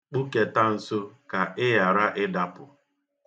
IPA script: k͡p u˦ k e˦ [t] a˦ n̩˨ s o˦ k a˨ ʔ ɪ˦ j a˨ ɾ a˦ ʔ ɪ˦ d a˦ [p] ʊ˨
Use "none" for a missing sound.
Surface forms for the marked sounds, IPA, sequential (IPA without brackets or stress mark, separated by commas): t, p